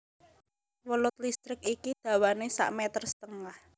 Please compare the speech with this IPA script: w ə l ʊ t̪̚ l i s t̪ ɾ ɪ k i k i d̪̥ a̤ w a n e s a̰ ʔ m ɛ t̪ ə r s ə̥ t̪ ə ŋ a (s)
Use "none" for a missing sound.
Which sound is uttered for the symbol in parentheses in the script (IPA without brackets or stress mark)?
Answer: h